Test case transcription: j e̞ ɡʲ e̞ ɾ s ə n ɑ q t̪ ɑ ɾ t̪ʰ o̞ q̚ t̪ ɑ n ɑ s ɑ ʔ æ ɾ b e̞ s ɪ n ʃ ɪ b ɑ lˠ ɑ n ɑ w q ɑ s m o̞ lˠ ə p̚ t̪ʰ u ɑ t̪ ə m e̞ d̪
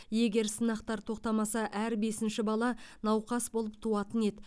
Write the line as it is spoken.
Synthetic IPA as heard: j e̞ ɡʲ e̞ ɾ s ə n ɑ q t̪ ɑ ɾ t̪ʰ o̞ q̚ t̪ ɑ m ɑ s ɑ ʔ æ ɾ b e̞ s ɪ n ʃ ɪ b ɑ lˠ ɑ n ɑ w q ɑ s b o̞ lˠ ə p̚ t̪ʰ u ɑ t̪ ə n e̞ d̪